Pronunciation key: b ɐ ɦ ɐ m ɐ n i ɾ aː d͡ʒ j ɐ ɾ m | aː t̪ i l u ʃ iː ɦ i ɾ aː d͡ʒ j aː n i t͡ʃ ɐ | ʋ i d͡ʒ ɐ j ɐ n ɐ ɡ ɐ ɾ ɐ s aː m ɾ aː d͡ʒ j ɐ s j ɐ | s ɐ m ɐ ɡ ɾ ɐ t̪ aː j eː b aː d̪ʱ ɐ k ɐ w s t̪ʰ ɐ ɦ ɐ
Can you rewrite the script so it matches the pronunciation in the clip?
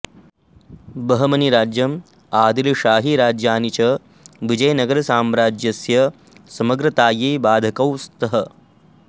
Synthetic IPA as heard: b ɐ ɦ ɐ m ɐ n i ɾ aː d͡ʒ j ɐ m | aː d̪ i l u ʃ aː ɦ i ɾ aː d͡ʒ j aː n i t͡ʃ ɐ | ʋ i d͡ʒ ɐ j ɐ n ɐ ɡ ɐ ɾ ɐ s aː m ɾ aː d͡ʒ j ɐ s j ɐ | s ɐ m ɐ ɡ ɾ ɐ t̪ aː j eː b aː d̪ʱ ɐ k ɐ w s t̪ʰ ɐ ɦ ɐ